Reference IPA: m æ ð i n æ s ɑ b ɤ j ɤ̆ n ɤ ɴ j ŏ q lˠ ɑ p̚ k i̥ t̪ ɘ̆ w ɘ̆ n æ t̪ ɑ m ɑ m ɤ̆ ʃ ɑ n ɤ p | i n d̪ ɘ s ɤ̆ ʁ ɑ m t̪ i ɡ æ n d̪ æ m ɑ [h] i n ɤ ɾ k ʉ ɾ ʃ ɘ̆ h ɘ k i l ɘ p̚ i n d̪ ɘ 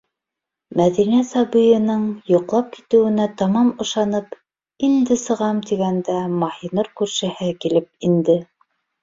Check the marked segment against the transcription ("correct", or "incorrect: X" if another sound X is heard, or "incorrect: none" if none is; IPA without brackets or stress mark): correct